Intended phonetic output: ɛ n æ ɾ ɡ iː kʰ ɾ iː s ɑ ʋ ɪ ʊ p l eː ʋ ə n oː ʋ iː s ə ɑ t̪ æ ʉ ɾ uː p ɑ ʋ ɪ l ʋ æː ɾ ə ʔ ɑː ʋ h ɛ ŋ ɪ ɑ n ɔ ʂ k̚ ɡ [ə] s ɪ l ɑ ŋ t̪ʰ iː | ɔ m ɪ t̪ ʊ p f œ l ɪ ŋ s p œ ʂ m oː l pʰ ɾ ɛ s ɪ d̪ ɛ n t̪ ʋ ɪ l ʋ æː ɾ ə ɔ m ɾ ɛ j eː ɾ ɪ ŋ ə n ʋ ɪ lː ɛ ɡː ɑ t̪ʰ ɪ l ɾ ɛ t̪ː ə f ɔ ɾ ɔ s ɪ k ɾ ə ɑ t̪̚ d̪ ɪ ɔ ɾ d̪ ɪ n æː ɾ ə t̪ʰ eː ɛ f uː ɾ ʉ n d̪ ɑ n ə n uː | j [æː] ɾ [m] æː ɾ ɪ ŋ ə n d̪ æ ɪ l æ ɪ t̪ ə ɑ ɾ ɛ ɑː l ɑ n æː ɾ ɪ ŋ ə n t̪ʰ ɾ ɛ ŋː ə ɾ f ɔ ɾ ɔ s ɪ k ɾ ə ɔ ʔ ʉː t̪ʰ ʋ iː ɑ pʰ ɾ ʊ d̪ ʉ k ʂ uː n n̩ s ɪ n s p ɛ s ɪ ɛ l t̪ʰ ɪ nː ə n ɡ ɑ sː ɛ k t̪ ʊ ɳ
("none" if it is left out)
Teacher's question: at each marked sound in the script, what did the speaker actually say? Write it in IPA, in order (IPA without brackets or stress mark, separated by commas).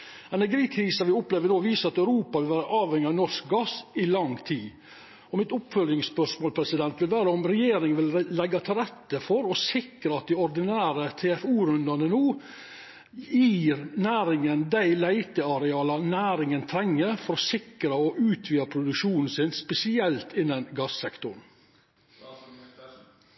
ɑ, iː, n